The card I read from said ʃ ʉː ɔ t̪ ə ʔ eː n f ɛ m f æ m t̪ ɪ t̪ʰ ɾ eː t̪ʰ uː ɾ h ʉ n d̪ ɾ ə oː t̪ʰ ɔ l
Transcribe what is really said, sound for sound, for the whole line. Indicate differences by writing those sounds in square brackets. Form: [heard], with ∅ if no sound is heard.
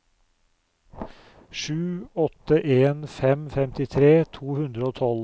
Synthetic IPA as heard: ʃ ʉː ɔ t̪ ə ʔ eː n f ɛ m f [ɛ] m t̪ ɪ t̪ʰ ɾ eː t̪ʰ uː [∅] h ʉ n d̪ ɾ ə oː t̪ʰ ɔ l

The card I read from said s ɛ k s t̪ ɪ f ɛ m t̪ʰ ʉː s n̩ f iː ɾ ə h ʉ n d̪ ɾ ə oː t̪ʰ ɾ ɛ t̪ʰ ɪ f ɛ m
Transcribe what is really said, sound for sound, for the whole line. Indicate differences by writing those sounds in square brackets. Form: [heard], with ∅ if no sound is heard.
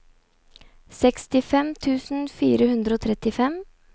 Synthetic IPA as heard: s ɛ k s t̪ ɪ f ɛ m t̪ʰ ʉː s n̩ f iː ɾ ə h ʉ n d̪ ɾ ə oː t̪ʰ ɾ ɛ [t̪] ɪ f ɛ m

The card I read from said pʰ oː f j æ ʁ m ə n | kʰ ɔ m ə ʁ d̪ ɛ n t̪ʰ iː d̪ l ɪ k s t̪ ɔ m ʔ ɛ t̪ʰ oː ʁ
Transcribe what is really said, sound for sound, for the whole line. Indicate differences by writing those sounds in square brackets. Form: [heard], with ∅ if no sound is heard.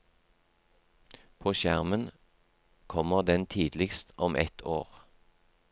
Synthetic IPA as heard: pʰ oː [ʃ] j æ ʁ m ə n | kʰ ɔ m ə ʁ d̪ ɛ n t̪ʰ iː d̪ l ɪ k s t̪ ɔ m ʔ ɛ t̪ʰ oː ʁ

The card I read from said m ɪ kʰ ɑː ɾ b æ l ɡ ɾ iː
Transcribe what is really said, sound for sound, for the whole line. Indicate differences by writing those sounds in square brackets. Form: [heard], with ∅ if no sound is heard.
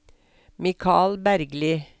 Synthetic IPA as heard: m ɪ kʰ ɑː [l] b æ [ɾ] ɡ [l] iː

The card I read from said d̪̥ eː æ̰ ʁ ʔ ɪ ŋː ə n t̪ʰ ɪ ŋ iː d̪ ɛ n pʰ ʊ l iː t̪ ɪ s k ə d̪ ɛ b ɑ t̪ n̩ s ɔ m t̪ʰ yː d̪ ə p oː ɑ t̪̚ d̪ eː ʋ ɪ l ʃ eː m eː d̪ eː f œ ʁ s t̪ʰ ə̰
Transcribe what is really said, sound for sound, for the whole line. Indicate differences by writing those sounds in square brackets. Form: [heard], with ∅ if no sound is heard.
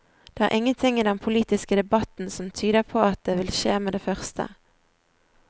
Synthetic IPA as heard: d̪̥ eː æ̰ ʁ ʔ ɪ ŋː ə n t̪ʰ ɪ ŋ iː d̪ ɛ n pʰ ʊ l iː t̪ ɪ s k ə d̪ ɛ b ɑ t̪ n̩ s ɔ m t̪ʰ yː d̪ ə [pʰ] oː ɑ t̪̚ d̪ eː ʋ ɪ l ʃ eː m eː d̪ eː f œ ʁ s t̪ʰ ə̰

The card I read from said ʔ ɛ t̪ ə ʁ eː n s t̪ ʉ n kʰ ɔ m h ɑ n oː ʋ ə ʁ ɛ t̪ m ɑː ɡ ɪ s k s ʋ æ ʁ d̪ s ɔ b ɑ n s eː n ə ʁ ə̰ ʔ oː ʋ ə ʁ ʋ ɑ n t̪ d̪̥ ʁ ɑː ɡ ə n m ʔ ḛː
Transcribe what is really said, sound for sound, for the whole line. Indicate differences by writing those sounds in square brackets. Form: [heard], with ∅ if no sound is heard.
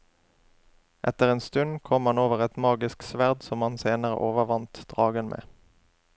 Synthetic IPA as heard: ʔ ɛ t̪ ə ʁ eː n s t̪ ʉ n kʰ ɔ m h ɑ n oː ʋ ə ʁ ɛ t̪ m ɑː ɡ ɪ s k s ʋ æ ʁ d̪ s ɔ [m] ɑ n s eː n ə ʁ ə̰ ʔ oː ʋ ə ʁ ʋ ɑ n t̪ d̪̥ ʁ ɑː ɡ ə n m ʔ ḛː

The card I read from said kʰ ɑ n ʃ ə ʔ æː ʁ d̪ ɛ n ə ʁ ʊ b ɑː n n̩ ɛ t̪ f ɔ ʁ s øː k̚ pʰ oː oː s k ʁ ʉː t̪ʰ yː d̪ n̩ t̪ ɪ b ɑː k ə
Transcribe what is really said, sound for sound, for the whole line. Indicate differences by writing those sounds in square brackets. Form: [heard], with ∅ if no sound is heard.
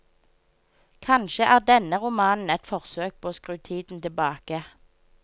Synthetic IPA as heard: kʰ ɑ n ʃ ə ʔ æː ʁ d̪ ɛ n ə ʁ ʊ [m] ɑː n n̩ ɛ t̪ f ɔ ʁ s øː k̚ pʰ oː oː s k ʁ ʉː t̪ʰ [iː] d̪ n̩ t̪ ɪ b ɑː k ə

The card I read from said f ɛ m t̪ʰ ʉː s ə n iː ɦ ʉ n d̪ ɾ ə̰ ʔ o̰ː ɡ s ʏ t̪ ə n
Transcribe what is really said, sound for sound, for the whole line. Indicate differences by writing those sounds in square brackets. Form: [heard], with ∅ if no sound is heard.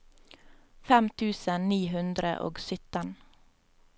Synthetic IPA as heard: f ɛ m t̪ʰ ʉː s ə n iː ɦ ʉ n d̪ ɾ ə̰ ʔ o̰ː ɡ s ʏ t̪ ə n

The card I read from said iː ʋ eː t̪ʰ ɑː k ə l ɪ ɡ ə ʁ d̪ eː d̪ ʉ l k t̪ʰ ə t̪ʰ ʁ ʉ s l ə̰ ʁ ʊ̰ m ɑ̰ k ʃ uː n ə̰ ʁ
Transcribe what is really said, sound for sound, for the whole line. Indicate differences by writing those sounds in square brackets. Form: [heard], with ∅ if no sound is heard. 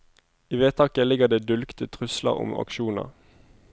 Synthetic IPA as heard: iː ʋ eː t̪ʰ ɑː k ə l ɪ ɡ ə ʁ d̪ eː d̪ ʉ l k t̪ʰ ə t̪ʰ ʁ ʉ s l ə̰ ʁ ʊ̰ m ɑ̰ k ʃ uː n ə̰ ʁ

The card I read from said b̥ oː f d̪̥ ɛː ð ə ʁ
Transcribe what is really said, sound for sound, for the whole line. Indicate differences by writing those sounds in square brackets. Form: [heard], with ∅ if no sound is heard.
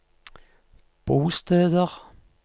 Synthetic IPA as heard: b̥ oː [s] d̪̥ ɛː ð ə ʁ

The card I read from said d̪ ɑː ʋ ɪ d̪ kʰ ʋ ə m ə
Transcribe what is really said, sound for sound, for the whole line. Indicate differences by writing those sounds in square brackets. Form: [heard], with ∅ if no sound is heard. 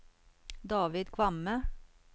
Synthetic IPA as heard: d̪ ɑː ʋ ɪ d̪ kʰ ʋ [ɑ] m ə

